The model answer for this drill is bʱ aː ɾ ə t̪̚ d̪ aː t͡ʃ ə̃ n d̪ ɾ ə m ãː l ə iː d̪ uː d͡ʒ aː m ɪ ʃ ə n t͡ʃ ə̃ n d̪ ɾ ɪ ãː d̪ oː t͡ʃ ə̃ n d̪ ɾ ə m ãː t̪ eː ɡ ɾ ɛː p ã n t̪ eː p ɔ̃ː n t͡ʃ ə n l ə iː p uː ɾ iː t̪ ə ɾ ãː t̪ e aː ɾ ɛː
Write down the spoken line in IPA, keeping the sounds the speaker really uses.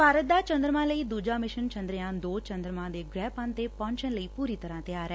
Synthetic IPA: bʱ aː ɾ ə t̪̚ d̪ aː t͡ʃ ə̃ n d̪ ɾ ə m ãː l ə iː d̪ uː d͡ʒ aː m ɪ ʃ ə n t͡ʃ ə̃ n d̪ ɾ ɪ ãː d̪ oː t͡ʃ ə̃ n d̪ ɾ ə m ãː d̪ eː ɡ ɾ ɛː p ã n t̪ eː p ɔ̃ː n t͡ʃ ə n l ə iː p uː ɾ iː t̪ ə ɾ ãː t̪ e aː ɾ ɛː